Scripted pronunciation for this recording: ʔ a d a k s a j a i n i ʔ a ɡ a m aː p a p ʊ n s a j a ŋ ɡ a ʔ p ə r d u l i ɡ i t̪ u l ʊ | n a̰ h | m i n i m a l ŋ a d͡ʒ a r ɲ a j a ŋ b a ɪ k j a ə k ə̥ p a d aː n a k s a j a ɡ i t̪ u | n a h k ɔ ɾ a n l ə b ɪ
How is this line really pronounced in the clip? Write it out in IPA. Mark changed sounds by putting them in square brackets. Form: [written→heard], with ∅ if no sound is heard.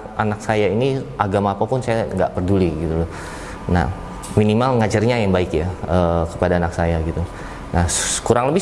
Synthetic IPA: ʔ a [d→n] a k s a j a i n i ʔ a ɡ a m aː p a p ʊ n s a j a ŋ ɡ a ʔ p ə r d u l i ɡ i t̪ u l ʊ | n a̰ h | m i n i m a l ŋ a d͡ʒ a r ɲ a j a ŋ b a ɪ k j a ə k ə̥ p a d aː n a k s a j a ɡ i t̪ u | n a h k [ɔ→u] ɾ a [n→ŋ] l ə b ɪ